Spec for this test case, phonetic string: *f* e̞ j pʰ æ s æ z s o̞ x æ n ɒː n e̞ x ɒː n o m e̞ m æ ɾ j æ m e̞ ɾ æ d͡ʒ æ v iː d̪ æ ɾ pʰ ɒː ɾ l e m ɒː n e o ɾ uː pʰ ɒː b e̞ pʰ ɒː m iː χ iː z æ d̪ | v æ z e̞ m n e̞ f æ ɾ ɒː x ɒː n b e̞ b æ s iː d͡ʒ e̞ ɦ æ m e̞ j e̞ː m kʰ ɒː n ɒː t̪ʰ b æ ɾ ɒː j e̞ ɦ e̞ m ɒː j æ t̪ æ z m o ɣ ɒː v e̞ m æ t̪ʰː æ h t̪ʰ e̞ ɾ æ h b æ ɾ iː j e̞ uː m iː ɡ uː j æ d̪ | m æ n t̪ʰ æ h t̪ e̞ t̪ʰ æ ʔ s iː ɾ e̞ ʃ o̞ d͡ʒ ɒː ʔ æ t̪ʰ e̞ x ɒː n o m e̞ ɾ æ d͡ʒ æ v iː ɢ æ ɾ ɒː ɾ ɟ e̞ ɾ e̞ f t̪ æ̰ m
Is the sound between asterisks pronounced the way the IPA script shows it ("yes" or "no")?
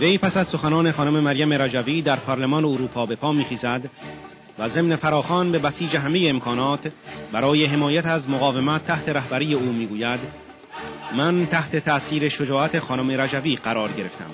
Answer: no